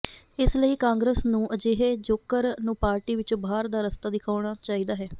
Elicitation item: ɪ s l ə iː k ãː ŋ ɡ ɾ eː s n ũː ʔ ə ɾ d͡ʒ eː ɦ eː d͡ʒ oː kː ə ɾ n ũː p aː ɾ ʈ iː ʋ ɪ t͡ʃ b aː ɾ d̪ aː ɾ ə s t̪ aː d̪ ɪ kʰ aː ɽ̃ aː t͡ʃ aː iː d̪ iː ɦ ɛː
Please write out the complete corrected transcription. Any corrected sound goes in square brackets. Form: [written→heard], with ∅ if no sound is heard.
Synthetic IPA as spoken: ɪ s l ə iː k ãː ŋ ɡ ɾ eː s n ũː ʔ ə [ɾ→∅] d͡ʒ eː ɦ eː d͡ʒ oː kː ə ɾ n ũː p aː ɾ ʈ iː ʋ ɪ t͡ʃ b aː ɾ d̪ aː ɾ ə s t̪ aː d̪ ɪ kʰ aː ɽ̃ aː t͡ʃ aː iː d̪ [iː→aː] ɦ ɛː